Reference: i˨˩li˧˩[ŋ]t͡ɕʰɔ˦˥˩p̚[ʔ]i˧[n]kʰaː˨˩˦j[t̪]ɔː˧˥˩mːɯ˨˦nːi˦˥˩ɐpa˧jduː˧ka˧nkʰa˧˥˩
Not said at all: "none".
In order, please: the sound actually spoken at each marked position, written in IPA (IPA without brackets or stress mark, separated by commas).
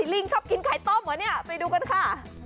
ŋ, k, n, t̪